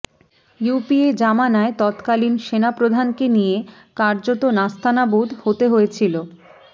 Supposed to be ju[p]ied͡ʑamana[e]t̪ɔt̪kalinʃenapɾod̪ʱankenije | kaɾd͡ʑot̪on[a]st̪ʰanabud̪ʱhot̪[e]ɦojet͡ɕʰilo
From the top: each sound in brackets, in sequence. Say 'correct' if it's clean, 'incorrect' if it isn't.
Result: correct, correct, correct, correct

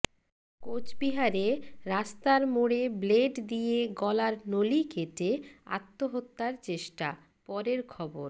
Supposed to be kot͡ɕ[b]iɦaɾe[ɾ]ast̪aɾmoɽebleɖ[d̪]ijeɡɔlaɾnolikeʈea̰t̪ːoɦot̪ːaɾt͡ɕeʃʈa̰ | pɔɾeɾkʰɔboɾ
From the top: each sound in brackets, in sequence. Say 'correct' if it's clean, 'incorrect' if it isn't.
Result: correct, correct, correct

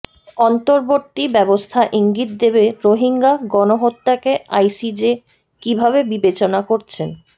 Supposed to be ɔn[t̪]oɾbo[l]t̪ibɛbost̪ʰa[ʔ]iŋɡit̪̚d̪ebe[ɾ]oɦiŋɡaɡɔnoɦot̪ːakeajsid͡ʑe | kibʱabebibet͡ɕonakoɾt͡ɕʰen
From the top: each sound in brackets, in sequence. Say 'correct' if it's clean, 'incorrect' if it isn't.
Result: correct, incorrect: ɾ, correct, correct

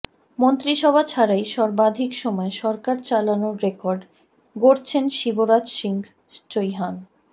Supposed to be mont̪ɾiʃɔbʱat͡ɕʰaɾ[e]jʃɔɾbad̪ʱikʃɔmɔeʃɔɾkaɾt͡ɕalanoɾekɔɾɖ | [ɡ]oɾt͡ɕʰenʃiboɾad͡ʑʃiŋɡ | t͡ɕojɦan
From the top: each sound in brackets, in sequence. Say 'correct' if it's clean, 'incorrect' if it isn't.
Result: incorrect: a, correct

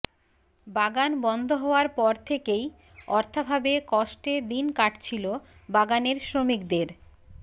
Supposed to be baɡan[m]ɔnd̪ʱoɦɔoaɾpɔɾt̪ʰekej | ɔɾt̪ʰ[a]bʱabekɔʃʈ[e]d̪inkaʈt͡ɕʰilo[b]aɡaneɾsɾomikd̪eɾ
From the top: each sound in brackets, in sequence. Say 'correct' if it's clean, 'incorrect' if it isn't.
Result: incorrect: b, correct, correct, correct

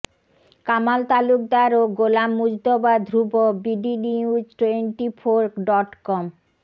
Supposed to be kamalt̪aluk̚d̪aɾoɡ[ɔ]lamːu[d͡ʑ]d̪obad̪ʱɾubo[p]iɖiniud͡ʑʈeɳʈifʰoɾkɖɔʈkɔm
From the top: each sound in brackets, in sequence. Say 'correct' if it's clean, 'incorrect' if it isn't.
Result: incorrect: o, correct, incorrect: b

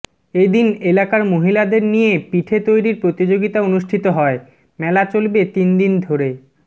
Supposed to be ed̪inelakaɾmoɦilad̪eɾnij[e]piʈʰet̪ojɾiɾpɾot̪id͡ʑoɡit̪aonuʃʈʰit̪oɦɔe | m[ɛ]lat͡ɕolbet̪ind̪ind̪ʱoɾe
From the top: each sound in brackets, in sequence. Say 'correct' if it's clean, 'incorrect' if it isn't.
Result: correct, correct

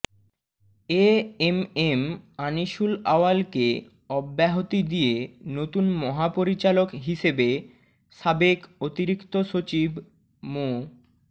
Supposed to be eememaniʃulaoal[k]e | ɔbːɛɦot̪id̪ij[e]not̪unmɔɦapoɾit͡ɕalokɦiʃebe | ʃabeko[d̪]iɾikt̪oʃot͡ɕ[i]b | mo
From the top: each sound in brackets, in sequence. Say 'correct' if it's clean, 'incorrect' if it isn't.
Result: correct, correct, incorrect: t̪, correct

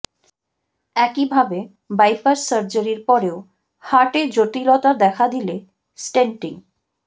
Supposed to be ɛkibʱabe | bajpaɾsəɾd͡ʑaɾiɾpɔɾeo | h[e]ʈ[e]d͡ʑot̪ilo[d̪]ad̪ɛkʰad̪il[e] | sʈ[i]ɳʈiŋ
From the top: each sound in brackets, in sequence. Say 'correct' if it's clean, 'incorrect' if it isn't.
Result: incorrect: a, correct, incorrect: t̪, correct, incorrect: e

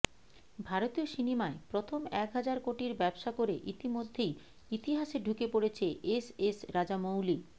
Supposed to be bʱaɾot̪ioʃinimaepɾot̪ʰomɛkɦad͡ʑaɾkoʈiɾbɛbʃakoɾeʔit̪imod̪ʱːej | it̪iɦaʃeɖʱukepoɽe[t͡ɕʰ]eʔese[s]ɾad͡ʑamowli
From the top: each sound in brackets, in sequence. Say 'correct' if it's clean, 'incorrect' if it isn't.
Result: correct, correct

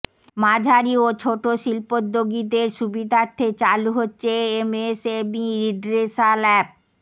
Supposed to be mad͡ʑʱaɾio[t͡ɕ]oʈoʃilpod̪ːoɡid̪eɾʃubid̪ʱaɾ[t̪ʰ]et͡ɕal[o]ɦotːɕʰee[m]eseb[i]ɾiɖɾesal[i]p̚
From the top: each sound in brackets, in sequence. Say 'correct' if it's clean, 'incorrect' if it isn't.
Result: incorrect: t͡ɕʰ, correct, incorrect: u, correct, correct, incorrect: ɛ

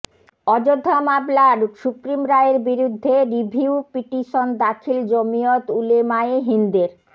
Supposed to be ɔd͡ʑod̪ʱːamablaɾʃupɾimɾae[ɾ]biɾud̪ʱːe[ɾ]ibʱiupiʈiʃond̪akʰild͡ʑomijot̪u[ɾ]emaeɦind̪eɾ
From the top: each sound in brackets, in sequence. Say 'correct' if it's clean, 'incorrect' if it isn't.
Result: correct, correct, incorrect: l

